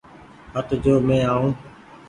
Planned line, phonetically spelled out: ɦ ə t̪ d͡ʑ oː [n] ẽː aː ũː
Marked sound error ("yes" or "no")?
yes